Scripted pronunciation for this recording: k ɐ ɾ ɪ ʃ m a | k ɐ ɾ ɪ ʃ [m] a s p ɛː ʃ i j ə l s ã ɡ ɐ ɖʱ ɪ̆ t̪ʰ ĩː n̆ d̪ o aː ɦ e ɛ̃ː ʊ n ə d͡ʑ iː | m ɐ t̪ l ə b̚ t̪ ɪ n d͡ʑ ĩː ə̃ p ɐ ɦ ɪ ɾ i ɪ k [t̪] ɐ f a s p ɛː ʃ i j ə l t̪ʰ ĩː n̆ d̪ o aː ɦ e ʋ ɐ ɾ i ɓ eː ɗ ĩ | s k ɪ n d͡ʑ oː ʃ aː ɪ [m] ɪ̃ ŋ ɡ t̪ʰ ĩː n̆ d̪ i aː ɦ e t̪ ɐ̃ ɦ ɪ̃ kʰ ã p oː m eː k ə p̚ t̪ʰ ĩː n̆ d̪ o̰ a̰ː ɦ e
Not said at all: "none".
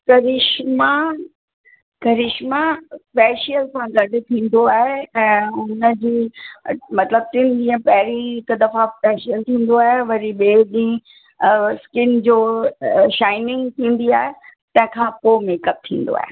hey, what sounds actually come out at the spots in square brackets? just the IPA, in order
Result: m, d̪, n

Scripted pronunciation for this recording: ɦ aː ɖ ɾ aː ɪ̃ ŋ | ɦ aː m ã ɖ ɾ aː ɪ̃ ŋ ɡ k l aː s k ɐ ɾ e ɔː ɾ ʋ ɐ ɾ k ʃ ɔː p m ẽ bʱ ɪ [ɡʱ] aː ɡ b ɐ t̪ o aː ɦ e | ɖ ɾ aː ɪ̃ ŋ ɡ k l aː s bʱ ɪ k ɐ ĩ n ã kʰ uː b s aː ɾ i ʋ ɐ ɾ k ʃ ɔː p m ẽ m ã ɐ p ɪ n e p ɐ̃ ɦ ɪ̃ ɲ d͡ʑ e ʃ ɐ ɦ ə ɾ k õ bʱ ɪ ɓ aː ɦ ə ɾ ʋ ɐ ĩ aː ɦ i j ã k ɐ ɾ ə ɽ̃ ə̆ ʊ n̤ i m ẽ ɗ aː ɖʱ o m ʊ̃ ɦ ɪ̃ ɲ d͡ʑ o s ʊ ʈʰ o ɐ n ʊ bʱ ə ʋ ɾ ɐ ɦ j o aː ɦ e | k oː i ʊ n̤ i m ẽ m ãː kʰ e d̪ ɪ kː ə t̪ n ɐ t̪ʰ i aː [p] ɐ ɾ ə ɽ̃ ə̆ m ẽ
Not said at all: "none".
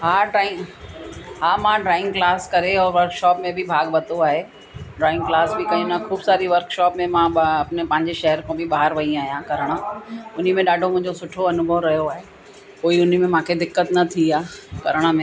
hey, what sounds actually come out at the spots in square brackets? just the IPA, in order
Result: bʱ, k

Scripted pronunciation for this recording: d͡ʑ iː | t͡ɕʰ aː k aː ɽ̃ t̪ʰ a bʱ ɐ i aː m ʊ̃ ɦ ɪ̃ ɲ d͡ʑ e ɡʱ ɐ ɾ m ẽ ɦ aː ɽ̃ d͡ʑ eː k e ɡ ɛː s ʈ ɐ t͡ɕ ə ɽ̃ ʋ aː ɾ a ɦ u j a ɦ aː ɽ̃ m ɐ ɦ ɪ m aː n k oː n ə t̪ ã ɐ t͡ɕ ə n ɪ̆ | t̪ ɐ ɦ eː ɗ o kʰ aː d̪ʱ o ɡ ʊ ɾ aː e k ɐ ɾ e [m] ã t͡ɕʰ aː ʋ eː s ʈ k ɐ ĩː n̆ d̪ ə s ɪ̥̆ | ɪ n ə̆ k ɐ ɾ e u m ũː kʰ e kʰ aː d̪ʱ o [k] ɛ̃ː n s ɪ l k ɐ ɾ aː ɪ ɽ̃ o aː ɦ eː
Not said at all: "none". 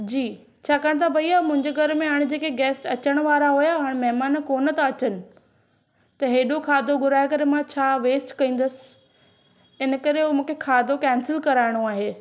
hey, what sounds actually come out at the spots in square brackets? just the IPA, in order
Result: m, k

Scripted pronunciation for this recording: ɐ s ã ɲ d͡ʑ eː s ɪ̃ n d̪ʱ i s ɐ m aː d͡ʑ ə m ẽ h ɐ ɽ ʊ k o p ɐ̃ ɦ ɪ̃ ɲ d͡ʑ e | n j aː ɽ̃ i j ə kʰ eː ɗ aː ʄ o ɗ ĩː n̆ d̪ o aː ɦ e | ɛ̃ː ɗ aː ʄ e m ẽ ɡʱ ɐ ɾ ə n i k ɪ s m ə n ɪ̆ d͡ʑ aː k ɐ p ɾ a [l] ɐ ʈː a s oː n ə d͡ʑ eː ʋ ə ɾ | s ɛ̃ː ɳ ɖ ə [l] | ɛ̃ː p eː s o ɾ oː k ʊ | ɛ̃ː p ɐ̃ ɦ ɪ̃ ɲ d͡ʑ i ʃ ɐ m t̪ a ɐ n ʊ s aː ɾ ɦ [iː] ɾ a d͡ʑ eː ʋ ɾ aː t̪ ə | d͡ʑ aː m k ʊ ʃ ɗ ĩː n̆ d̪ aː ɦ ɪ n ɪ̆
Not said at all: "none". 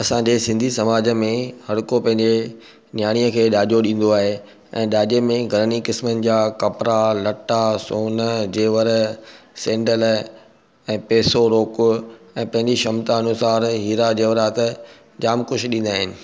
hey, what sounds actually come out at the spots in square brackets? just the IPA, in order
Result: l, l, iː

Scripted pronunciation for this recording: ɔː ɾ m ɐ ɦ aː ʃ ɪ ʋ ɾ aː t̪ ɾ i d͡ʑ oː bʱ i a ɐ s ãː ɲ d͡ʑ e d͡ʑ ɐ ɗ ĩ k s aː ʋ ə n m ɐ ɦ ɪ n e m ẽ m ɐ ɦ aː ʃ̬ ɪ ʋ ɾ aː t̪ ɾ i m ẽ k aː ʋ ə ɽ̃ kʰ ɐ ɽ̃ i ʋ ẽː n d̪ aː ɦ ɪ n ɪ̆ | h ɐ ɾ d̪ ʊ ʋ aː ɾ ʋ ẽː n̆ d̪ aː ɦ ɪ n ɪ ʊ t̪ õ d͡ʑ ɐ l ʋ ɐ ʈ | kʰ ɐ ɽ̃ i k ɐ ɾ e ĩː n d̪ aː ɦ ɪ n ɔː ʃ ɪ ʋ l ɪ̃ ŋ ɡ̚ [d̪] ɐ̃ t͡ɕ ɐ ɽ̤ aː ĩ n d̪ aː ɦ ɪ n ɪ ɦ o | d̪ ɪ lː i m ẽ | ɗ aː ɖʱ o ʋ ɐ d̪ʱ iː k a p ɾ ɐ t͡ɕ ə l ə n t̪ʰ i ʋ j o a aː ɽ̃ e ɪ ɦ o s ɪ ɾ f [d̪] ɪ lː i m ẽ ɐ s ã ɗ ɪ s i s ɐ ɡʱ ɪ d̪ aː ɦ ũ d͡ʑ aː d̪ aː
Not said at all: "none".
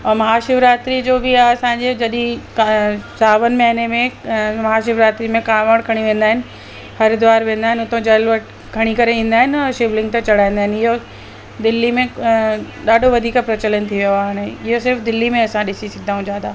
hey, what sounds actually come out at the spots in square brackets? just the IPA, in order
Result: t̪, d̪

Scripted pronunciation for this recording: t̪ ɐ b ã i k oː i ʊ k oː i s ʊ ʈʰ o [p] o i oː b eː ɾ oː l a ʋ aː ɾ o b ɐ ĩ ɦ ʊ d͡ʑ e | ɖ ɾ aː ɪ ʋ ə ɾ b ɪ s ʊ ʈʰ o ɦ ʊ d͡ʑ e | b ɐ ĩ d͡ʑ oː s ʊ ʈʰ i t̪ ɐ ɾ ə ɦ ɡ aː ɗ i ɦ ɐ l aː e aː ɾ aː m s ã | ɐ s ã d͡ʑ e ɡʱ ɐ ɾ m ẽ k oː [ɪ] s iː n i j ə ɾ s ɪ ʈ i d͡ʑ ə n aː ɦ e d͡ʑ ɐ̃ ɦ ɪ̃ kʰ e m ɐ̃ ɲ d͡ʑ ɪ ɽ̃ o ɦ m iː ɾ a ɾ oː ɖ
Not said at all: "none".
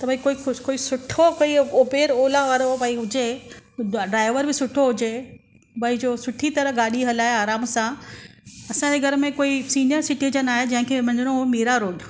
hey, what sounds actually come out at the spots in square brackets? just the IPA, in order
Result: k, i

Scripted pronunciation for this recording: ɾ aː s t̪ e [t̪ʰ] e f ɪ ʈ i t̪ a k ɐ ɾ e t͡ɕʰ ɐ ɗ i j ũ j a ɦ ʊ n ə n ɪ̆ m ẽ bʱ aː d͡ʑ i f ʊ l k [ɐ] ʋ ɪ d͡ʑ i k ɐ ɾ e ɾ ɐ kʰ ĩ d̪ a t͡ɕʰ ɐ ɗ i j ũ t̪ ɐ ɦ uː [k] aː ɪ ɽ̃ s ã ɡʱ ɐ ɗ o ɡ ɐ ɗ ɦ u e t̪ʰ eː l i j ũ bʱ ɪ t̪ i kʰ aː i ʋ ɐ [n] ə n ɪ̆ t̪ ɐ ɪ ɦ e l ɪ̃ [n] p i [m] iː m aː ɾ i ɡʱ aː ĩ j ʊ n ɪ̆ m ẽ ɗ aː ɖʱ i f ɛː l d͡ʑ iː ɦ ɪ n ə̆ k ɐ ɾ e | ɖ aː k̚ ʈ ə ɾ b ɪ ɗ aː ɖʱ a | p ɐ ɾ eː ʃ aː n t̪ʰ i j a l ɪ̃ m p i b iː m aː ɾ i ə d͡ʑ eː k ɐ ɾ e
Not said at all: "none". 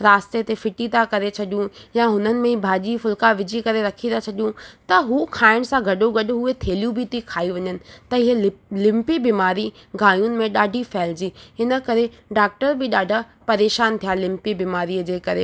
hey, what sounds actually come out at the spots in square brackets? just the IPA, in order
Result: t̪, a, kʰ, ɲ, m, b

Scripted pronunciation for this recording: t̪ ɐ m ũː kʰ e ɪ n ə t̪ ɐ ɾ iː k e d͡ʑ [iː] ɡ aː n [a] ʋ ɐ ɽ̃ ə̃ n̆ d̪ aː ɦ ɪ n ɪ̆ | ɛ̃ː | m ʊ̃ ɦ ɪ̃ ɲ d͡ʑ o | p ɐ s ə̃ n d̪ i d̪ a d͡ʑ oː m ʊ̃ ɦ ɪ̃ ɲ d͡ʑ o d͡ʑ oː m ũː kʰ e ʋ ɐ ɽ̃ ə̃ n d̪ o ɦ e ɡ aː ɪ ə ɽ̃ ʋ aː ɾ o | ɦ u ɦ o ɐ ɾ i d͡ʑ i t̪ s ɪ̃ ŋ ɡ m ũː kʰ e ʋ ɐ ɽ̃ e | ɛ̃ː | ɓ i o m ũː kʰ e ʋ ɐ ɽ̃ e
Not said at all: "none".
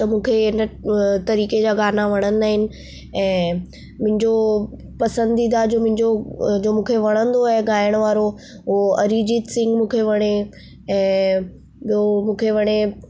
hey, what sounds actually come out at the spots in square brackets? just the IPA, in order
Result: aː, a

